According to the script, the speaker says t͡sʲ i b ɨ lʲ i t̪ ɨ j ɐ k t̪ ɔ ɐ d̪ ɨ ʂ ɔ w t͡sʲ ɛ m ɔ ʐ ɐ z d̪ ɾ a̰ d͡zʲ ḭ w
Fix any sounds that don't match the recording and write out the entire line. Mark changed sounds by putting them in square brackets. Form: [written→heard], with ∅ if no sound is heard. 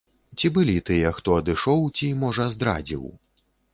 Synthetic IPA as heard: t͡sʲ i b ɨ lʲ i t̪ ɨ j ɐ [k→x] t̪ ɔ ɐ d̪ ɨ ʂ ɔ w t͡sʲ [ɛ→i] m ɔ ʐ ɐ z d̪ ɾ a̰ d͡zʲ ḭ w